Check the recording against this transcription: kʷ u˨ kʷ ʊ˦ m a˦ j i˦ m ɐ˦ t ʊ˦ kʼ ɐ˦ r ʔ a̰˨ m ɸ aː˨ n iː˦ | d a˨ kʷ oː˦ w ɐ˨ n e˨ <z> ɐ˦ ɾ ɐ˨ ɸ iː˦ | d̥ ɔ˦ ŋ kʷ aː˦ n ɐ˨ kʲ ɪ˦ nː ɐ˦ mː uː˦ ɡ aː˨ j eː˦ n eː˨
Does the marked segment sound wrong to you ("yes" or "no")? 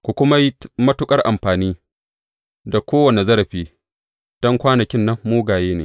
no